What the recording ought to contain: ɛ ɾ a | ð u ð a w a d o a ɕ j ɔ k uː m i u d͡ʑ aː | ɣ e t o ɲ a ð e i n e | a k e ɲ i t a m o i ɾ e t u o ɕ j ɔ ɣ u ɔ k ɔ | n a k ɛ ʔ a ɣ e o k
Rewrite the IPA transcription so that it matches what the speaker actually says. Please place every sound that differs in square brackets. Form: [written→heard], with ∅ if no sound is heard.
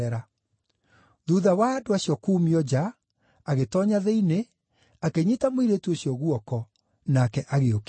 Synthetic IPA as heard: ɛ ɾ a | ð u ð a w a d o a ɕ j ɔ k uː m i [u→ɔ] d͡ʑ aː | ɣ e t [o→ɔ] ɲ a ð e i n e | a k e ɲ i t a m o i ɾ e t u o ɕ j ɔ ɣ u ɔ k ɔ | n a k ɛ ʔ a ɣ e o k